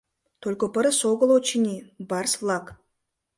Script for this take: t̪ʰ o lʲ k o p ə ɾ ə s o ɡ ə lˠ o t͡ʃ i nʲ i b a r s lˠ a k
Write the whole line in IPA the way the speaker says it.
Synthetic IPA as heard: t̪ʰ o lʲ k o p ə ɾ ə s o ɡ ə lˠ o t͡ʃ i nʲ i b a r s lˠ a k